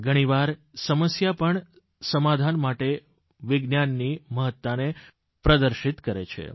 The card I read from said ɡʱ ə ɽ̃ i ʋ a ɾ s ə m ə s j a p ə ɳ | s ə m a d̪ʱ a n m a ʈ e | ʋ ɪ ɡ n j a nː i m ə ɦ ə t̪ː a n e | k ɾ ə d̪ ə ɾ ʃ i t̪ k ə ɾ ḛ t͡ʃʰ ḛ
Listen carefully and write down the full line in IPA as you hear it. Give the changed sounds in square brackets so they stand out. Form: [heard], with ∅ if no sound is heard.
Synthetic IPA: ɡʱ ə ɽ̃ i ʋ a ɾ s ə m ə s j a p ə ɳ | s ə m a d̪ʱ a n m a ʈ e | ʋ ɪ ɡ n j a nː i m ə ɦ ə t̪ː a n e | [p] ɾ ə d̪ ə ɾ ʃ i t̪ k ə ɾ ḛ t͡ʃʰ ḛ